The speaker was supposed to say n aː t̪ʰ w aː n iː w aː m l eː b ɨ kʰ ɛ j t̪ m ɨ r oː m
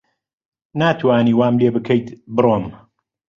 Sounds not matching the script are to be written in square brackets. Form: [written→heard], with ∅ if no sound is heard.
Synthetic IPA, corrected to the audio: n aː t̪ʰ w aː n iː w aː m l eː b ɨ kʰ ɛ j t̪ [m→b] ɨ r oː m